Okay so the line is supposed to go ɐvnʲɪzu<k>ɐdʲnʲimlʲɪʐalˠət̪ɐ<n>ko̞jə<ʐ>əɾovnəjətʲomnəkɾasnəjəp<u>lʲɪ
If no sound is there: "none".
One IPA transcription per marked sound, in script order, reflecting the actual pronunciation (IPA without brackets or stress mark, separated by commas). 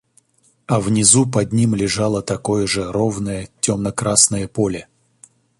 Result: p, none, ʐ, o